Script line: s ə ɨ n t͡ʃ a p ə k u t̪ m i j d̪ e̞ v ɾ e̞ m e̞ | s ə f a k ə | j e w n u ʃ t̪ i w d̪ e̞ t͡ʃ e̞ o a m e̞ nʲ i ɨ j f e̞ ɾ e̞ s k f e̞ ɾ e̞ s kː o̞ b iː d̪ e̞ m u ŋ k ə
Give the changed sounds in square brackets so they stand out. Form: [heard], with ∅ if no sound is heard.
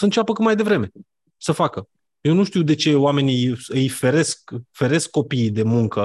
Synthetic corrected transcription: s ə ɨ n t͡ʃ a p ə k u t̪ m [a] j d̪ e̞ v ɾ e̞ m e̞ | s ə f a k ə | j e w n u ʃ t̪ i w d̪ e̞ t͡ʃ e̞ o a m e̞ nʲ i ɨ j f e̞ ɾ e̞ s k f e̞ ɾ e̞ s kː o̞ [p] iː d̪ e̞ m u ŋ k ə